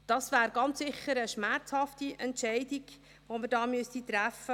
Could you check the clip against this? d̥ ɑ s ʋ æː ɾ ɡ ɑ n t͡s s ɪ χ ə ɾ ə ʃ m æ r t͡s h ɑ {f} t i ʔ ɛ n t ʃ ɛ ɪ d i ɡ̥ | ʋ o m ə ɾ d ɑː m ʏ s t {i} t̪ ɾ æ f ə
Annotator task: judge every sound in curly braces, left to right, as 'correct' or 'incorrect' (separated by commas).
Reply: correct, correct